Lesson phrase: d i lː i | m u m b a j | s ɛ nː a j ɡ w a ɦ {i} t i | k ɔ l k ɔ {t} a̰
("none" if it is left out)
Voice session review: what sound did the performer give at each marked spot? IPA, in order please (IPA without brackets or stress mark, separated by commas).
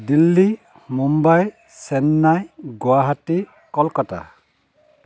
a, t